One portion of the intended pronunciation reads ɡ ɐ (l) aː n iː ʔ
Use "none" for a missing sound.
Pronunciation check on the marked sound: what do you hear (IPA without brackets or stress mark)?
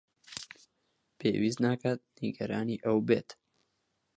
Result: ɾ